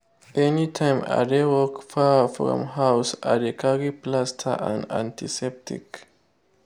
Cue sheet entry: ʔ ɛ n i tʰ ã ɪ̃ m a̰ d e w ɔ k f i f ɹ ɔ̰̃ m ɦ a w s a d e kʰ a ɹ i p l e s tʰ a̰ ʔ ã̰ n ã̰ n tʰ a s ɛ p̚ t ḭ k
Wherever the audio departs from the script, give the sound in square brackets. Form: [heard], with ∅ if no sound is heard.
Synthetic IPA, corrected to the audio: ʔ ɛ n i tʰ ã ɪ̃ m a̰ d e w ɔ k f [a] f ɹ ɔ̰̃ m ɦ a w s a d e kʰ a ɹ i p l [a] s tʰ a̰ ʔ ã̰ n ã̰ n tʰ [i] s ɛ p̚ t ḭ k